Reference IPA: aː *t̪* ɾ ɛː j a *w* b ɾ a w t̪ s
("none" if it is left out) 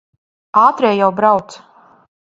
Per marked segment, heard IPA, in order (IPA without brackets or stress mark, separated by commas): t̪, w